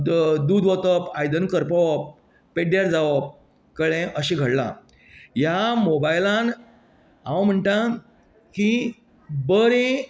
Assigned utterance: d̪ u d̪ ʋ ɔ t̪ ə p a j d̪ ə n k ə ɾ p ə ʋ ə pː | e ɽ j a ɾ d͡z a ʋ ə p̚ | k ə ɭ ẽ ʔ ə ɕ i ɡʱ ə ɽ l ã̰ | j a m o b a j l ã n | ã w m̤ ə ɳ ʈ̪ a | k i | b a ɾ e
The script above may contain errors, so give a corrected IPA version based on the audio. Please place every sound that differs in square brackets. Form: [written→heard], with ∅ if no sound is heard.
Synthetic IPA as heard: d̪ u d̪ ʋ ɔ t̪ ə p a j d̪ ə n k ə ɾ p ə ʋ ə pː | e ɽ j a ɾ d͡z a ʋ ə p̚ | k ə ɭ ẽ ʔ ə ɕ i ɡʱ ə ɽ l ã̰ | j a m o b a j l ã n | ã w m̤ ə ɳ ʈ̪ a | k i | b [a→ə] ɾ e